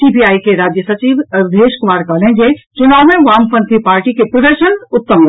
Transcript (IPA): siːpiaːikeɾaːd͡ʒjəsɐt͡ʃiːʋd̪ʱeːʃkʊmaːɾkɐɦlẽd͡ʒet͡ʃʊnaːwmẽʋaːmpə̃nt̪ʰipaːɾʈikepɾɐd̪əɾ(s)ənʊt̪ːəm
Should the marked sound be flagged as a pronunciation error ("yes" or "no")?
yes